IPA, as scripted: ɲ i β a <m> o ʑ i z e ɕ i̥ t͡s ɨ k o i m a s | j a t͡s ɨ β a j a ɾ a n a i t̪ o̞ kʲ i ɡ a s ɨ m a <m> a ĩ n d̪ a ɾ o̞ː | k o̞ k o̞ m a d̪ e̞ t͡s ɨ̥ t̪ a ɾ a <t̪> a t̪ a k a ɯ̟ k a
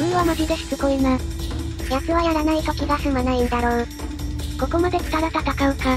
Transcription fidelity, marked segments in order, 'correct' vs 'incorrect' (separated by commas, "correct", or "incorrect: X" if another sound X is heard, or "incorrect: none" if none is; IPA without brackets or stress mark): correct, incorrect: n, correct